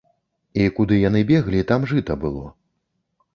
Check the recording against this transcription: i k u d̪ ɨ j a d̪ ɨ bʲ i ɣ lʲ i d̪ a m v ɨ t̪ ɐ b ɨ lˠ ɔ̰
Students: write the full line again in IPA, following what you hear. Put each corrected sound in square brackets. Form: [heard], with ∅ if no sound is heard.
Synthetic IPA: i k u d̪ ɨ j a [n̪] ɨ bʲ [ɛ] ɣ lʲ i [t̪] a m [ʐ] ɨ t̪ ɐ b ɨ lˠ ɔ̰